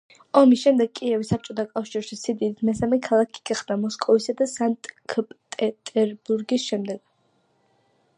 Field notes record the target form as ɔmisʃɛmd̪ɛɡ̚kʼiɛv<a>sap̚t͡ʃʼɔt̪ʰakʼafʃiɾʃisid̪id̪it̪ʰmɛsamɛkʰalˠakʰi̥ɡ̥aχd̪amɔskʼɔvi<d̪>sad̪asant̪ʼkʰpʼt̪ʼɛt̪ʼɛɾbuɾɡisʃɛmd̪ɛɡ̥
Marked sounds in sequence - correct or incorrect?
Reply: incorrect: i, incorrect: none

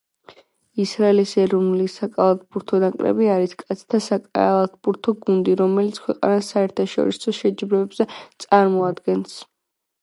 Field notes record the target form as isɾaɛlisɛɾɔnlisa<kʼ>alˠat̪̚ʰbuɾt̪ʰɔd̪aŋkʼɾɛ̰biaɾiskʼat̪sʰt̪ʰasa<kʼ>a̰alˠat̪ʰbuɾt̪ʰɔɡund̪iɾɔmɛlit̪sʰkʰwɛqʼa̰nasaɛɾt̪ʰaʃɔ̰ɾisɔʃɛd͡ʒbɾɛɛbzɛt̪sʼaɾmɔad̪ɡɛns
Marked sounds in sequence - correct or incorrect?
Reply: correct, correct

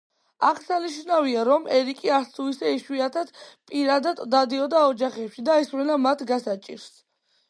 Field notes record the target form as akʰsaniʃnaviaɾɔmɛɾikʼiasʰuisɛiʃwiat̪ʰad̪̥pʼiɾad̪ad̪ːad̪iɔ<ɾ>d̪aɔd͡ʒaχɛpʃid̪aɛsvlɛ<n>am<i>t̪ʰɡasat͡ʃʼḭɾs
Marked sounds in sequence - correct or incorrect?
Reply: incorrect: none, correct, incorrect: a

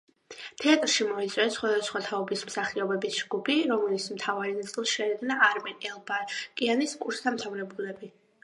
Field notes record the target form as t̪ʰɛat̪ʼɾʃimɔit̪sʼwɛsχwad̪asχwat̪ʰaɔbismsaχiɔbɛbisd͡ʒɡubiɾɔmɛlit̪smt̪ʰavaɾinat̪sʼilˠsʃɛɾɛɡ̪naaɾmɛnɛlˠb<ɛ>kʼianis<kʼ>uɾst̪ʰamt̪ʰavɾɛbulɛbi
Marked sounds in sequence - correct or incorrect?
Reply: incorrect: a, correct

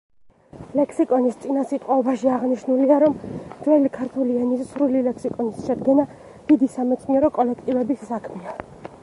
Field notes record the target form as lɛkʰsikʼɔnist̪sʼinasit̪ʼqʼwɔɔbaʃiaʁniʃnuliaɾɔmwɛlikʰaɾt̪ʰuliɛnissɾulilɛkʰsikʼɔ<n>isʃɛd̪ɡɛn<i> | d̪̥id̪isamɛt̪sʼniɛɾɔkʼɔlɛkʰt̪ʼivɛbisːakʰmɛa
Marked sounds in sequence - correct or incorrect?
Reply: correct, incorrect: a

